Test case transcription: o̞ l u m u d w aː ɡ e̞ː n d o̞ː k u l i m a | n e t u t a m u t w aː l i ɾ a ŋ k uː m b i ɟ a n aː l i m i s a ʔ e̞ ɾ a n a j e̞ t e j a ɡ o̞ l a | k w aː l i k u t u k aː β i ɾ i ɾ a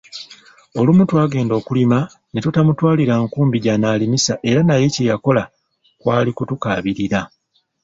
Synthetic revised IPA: o̞ l u m u t w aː ɡ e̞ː n d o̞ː k u l i m a | n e t u t a m u t w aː l i ɾ a ŋ k uː m b i ɟ a n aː l i m i s a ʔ e̞ ɾ a n a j e̞ c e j a k o̞ l a | k w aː l i k u t u k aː β i ɾ i ɾ a